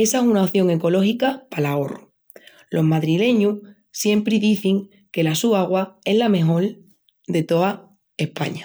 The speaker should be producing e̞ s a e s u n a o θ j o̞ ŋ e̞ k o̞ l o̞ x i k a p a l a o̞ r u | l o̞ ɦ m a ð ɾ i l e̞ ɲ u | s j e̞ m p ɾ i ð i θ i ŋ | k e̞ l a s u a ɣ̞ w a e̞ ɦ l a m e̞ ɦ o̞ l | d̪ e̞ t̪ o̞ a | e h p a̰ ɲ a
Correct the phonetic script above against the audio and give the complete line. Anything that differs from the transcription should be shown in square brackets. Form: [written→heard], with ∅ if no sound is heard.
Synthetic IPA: e̞ s a e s u n a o θ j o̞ ŋ e̞ k o̞ l o̞ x i k a p a l a o̞ r u | l o̞ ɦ m a ð ɾ i l e̞ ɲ u | s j e̞ m p ɾ i ð i θ i ŋ | k e̞ l a s u a ɣ̞ w a e̞ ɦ l a m e̞ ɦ o̞ l | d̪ e̞ t̪ o̞ a | e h p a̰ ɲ a